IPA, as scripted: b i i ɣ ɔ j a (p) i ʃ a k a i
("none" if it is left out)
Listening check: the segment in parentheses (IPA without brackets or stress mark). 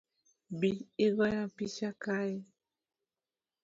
p